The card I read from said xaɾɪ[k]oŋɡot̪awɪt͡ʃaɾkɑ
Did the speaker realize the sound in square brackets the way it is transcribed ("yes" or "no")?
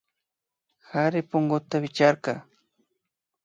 no